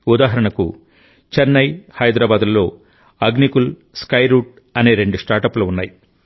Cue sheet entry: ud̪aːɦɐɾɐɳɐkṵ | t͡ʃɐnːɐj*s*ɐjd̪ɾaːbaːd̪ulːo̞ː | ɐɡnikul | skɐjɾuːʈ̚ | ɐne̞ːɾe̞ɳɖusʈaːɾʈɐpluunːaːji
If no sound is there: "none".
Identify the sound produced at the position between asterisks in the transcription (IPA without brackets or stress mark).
h